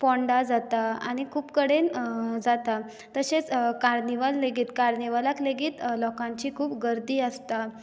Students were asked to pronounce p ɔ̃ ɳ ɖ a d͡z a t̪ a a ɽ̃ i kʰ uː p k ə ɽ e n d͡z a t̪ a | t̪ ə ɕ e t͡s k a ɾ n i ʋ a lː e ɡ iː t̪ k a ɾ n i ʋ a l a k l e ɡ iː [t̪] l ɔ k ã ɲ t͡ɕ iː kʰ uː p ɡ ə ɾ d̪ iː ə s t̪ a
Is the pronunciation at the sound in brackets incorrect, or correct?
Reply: correct